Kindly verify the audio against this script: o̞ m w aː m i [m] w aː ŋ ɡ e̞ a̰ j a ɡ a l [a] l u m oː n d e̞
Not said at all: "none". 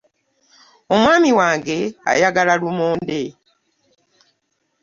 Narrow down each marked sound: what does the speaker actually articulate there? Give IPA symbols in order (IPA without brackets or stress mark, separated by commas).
none, a